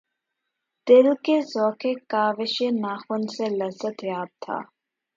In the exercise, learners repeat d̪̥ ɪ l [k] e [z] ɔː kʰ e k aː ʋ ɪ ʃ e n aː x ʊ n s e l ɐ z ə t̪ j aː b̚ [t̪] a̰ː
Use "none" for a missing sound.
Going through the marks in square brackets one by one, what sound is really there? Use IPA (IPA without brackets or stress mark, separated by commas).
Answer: k, z, t̪ʰ